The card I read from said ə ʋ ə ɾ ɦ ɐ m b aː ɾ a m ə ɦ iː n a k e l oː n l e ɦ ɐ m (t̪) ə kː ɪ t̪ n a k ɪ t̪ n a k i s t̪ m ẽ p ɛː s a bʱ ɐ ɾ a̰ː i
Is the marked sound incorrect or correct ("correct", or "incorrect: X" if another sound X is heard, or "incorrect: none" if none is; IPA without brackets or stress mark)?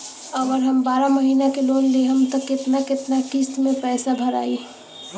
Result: correct